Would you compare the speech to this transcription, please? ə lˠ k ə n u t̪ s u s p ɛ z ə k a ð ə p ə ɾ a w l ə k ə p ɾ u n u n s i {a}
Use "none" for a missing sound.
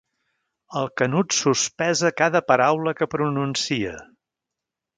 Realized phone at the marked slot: ə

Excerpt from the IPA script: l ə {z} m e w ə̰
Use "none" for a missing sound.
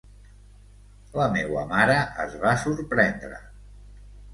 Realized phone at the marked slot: none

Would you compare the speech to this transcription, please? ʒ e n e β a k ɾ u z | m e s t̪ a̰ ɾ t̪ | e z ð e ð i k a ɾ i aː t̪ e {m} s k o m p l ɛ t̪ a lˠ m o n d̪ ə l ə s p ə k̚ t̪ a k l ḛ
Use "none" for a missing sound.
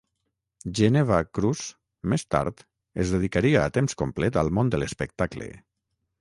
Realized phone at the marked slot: m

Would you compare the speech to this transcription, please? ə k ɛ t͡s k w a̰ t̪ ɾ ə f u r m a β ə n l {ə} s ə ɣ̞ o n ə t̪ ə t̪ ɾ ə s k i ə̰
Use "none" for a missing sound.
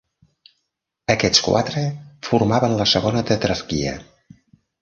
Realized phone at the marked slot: ə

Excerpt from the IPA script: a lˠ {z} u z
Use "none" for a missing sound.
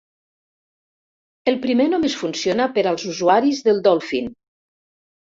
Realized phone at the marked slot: z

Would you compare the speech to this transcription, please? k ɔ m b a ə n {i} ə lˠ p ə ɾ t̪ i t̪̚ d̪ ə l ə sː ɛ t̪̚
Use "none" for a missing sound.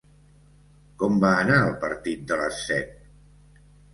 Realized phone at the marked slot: a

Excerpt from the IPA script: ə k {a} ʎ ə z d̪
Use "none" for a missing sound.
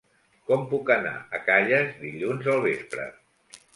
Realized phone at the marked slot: a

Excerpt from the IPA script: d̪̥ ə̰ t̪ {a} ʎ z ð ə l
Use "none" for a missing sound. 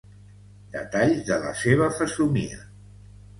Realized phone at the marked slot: a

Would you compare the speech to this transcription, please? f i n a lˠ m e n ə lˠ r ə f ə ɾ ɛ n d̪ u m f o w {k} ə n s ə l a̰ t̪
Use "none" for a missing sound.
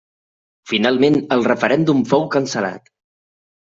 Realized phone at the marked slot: k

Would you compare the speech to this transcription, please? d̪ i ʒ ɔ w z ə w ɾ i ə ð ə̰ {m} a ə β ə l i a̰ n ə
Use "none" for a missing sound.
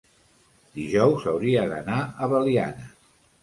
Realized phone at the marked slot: n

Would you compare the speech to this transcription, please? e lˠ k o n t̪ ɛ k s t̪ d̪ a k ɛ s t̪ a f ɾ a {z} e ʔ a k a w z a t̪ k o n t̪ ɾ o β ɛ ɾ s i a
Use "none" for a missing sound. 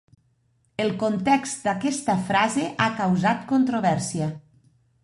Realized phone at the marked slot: z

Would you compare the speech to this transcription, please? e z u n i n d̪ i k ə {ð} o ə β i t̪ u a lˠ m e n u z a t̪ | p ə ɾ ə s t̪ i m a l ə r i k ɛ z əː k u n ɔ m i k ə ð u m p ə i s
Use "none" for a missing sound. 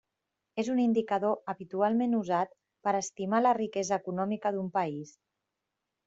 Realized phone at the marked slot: ð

